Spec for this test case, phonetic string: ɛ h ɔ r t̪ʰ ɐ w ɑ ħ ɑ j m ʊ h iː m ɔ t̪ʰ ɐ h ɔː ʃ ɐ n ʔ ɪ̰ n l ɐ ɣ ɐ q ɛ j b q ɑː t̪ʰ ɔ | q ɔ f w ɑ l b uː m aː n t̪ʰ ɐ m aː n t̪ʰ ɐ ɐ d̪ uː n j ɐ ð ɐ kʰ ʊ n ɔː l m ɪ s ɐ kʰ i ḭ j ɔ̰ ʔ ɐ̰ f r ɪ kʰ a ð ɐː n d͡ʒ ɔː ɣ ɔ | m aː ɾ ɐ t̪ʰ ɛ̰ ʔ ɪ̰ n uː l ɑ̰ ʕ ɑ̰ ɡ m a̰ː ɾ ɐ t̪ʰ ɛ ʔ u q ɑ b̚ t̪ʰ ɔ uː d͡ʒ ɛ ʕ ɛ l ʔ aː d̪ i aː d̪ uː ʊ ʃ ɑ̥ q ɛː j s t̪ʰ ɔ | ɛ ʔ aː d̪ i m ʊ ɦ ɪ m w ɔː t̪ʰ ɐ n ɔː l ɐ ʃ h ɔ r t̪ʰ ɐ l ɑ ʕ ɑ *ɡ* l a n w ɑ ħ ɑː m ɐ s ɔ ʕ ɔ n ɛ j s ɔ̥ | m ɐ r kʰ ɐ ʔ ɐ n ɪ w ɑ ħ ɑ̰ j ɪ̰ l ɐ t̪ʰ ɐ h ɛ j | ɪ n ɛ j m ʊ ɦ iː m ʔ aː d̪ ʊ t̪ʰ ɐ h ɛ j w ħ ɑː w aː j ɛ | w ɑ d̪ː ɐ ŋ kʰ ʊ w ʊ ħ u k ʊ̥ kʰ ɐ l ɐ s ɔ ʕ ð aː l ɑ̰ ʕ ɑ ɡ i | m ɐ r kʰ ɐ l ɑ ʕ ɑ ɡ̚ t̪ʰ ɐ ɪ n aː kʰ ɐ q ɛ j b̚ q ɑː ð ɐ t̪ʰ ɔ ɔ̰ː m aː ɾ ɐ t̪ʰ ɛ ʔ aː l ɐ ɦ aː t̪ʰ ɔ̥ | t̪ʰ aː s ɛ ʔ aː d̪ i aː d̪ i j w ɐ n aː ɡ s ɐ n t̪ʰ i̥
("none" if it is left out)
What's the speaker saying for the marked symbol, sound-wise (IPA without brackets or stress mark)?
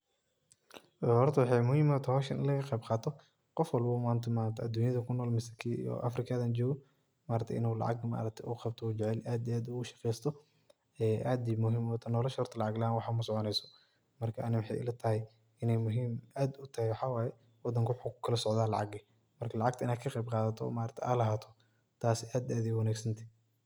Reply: ɡ